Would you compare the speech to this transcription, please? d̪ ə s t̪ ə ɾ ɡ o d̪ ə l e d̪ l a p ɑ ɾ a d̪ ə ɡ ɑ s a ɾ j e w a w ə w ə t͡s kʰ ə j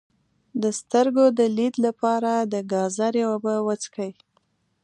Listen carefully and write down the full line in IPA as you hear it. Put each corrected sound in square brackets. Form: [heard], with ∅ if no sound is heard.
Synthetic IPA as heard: d̪ ə s t̪ ə ɾ ɡ o d̪ ə l [i] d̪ l a p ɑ ɾ a d̪ ə ɡ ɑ [z] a ɾ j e w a [b] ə w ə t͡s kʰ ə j